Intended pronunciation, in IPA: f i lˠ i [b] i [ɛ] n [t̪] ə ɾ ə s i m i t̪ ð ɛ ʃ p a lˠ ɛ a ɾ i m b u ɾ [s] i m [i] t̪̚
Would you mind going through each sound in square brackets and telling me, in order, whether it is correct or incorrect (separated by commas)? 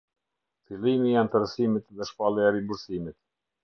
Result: incorrect, incorrect, correct, correct, correct